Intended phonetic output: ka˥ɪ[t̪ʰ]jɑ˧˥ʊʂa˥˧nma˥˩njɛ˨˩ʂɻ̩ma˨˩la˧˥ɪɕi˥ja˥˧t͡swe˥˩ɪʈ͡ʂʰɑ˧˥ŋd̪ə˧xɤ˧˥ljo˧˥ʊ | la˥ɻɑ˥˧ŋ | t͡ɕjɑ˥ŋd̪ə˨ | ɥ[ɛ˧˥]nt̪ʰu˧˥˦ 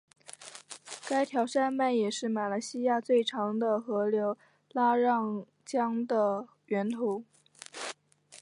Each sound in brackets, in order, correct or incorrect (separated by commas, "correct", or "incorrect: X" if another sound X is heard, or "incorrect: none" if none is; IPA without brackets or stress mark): correct, correct